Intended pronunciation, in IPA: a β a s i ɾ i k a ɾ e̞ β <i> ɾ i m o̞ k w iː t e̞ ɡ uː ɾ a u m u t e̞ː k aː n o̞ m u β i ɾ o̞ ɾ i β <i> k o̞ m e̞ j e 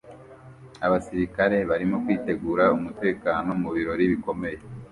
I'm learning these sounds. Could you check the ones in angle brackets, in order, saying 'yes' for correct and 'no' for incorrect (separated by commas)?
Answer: no, yes